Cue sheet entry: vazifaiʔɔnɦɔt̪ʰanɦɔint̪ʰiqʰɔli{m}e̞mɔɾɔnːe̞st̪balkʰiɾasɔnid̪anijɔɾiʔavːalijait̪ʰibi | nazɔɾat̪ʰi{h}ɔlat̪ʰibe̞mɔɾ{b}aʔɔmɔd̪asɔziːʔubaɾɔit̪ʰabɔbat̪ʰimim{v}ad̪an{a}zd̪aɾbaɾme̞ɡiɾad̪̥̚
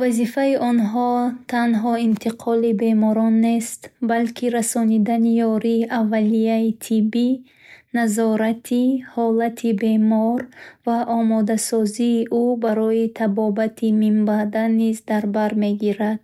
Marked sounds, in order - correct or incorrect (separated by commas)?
incorrect, correct, incorrect, incorrect, incorrect